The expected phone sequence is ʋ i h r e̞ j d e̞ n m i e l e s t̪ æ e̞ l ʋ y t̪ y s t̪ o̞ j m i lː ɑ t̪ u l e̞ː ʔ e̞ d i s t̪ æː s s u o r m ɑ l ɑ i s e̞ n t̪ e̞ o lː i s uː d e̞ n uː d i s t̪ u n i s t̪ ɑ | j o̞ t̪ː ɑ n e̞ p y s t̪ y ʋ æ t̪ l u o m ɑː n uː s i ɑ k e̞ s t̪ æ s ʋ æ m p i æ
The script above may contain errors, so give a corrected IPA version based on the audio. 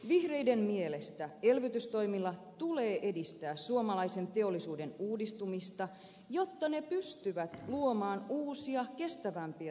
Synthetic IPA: ʋ i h r e̞ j d e̞ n m i e l e s t̪ æ e̞ l ʋ y t̪ y s t̪ o̞ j m i lː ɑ t̪ u l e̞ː ʔ e̞ d i s t̪ æː s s u o m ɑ l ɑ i s e̞ n t̪ e̞ o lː i s uː d e̞ n uː d i s t̪ u m i s t̪ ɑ | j o̞ t̪ː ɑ n e̞ p y s t̪ y ʋ æ t̪ l u o m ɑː n uː s i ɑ k e̞ s t̪ æ ʋ æ m p i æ